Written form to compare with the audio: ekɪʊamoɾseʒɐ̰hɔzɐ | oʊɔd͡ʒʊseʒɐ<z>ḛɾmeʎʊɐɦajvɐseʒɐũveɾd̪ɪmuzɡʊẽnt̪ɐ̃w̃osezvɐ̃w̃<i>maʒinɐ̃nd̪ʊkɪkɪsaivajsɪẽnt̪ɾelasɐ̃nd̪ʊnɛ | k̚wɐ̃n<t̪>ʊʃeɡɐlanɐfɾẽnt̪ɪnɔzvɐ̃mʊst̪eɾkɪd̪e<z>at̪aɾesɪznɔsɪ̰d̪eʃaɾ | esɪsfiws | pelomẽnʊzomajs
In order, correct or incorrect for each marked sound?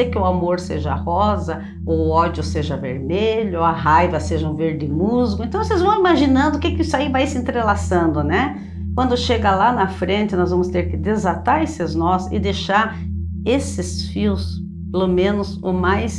incorrect: v, correct, incorrect: d̪, correct

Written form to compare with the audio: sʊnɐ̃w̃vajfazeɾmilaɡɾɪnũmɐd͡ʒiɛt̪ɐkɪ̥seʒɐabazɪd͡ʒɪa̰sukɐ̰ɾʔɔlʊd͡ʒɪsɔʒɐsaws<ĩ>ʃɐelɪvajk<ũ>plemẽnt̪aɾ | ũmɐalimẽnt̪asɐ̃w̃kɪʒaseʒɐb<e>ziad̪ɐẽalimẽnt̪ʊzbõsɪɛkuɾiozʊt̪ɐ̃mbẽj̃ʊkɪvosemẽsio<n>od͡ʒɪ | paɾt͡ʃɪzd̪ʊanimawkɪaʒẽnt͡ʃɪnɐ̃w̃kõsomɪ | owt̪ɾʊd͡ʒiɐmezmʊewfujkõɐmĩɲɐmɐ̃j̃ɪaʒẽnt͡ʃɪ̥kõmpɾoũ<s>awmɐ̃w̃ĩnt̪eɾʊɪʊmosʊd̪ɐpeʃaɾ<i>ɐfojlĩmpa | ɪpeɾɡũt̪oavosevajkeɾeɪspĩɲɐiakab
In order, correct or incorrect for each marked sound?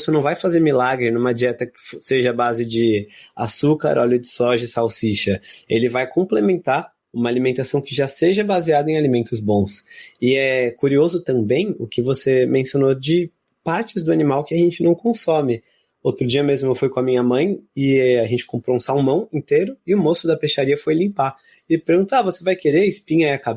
incorrect: i, incorrect: õ, incorrect: a, correct, correct, correct

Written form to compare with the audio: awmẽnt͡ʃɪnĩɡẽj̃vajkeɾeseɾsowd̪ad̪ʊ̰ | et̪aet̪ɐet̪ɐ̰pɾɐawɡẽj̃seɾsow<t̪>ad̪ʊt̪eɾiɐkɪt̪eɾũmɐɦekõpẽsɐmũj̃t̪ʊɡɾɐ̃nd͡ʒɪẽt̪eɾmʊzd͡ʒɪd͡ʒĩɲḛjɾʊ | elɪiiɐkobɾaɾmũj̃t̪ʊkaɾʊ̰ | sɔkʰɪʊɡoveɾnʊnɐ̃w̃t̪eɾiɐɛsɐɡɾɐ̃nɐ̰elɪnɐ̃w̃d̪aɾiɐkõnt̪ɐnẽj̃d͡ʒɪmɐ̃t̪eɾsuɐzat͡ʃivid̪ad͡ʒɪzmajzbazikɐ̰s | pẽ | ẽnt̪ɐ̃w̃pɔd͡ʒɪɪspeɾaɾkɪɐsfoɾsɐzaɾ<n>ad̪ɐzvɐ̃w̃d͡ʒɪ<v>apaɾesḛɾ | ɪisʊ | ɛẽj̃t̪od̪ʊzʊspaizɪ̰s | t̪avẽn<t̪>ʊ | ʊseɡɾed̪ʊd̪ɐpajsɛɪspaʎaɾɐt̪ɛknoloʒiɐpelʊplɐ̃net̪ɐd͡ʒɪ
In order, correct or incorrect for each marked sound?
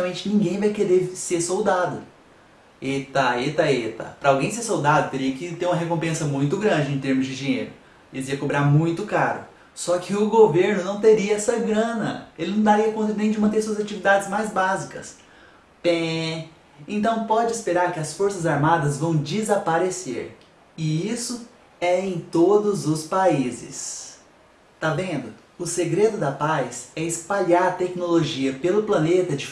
incorrect: d̪, incorrect: m, incorrect: z, incorrect: d̪

